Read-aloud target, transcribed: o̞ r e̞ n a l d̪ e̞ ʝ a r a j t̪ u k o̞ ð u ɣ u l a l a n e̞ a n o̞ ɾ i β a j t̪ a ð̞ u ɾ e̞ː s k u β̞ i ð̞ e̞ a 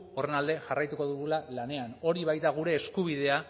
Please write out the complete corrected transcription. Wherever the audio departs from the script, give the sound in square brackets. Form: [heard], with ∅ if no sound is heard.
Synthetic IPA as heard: o̞ r e̞ n a l d̪ e̞ ʝ a r a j t̪ u k o̞ ð u ɣ u l a l a n e̞ a n o̞ ɾ i β a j t̪ a [ɣ̞] u ɾ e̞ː s k u β̞ i ð̞ e̞ a